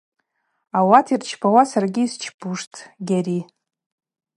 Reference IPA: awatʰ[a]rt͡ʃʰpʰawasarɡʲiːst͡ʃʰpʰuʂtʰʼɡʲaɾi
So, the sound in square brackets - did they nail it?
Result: no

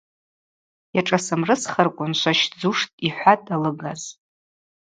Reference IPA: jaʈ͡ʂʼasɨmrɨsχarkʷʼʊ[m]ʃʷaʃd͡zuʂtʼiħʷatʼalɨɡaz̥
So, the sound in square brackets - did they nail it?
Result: no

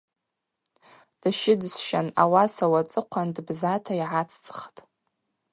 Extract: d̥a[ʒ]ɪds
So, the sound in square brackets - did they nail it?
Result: no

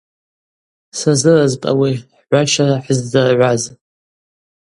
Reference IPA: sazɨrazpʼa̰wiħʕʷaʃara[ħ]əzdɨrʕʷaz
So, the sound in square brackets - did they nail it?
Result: yes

